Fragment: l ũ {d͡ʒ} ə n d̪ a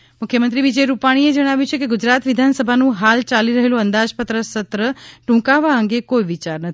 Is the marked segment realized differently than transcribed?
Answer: yes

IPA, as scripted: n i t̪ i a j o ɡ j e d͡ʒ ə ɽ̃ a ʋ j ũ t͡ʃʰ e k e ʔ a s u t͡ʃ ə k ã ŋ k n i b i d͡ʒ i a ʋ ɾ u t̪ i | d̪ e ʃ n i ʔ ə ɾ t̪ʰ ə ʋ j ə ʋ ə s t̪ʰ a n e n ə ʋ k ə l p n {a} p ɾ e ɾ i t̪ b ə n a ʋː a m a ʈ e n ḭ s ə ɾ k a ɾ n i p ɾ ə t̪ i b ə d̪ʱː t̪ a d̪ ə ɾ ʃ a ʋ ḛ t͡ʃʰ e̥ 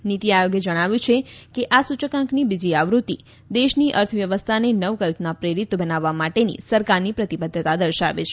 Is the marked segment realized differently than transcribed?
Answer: no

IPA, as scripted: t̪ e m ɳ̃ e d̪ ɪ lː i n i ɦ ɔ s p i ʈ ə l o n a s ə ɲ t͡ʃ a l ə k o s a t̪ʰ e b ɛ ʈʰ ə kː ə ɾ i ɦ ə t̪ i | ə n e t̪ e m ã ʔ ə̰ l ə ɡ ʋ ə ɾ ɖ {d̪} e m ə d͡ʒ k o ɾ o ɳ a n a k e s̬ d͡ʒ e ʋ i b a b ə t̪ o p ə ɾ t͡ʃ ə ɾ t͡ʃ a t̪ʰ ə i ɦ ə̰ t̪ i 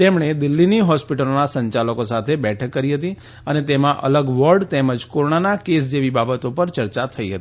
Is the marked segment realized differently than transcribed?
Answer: yes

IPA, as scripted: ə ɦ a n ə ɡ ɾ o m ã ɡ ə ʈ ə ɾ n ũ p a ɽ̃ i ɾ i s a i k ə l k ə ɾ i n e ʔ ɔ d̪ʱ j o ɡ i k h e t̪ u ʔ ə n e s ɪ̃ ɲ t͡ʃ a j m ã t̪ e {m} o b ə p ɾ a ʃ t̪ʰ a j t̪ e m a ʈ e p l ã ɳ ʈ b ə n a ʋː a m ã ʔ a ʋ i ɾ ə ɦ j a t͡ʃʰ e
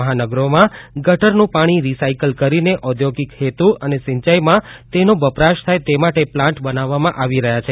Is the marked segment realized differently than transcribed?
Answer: yes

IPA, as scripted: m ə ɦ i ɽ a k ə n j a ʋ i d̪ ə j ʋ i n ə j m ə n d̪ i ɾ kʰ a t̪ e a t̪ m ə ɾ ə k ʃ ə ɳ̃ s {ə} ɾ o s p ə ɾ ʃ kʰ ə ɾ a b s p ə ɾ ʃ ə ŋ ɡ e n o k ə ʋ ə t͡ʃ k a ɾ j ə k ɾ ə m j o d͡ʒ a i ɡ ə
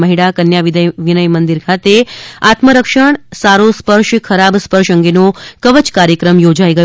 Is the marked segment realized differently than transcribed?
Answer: yes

